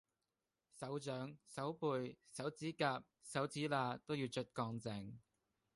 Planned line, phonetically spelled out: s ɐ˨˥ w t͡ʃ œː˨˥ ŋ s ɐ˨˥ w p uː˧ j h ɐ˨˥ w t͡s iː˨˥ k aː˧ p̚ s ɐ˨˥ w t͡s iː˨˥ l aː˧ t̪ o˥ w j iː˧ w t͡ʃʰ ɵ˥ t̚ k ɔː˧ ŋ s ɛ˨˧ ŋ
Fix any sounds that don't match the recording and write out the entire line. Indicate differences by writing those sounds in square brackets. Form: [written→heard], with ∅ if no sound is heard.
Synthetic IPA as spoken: s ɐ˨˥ w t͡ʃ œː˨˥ ŋ s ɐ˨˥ w p uː˧ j [h→s] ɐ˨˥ w t͡s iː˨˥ k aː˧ p̚ s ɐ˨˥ w t͡s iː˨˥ l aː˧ t̪ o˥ w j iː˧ w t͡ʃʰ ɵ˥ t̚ k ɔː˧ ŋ [s→t͡s] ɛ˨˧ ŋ